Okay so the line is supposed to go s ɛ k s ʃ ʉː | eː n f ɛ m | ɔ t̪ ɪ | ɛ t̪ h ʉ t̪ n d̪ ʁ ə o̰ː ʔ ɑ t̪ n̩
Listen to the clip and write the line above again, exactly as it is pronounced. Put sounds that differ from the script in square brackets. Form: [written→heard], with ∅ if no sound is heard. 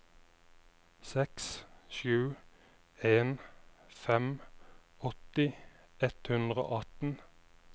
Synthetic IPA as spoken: s ɛ k s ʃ ʉː | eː n f ɛ m | ɔ t̪ ɪ | ɛ t̪ h ʉ [t̪→∅] n d̪ ʁ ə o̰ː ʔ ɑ t̪ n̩